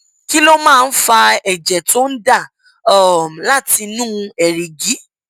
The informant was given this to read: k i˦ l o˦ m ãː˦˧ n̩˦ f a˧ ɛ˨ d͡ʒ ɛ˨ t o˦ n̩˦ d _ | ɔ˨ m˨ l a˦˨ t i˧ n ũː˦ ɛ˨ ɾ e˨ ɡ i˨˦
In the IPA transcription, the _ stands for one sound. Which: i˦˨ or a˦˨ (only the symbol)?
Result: a˦˨